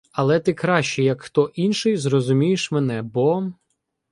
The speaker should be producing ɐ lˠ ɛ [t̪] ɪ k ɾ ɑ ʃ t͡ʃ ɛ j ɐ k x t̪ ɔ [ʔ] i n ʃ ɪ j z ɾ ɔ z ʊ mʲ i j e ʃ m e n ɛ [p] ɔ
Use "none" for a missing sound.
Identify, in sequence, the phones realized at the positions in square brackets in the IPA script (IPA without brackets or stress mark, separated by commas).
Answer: t̪, ʔ, b